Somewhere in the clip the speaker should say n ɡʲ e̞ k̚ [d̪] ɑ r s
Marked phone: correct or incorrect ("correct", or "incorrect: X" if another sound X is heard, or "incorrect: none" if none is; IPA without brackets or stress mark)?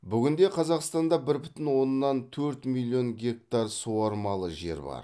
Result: incorrect: t̪